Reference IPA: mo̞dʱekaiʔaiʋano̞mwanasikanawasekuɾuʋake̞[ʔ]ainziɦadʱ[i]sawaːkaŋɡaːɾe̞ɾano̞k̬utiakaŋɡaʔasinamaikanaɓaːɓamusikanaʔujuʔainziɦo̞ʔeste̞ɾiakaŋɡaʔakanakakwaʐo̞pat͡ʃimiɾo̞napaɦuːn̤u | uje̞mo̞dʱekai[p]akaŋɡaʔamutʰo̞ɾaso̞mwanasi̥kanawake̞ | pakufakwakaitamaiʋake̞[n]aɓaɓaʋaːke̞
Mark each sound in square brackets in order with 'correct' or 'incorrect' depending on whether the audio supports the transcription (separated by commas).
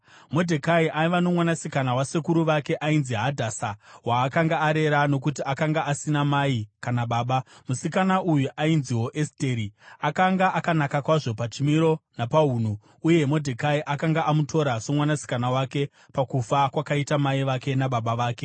correct, incorrect, incorrect, correct